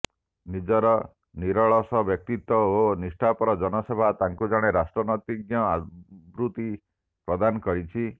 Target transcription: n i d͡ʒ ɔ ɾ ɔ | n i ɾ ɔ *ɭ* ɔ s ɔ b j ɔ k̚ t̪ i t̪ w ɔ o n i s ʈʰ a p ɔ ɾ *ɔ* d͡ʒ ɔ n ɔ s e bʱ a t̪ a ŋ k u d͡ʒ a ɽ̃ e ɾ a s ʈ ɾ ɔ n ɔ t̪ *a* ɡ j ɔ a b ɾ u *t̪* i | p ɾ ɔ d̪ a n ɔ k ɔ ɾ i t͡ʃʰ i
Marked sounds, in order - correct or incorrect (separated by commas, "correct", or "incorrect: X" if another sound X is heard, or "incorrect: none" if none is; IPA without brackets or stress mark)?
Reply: correct, correct, incorrect: i, correct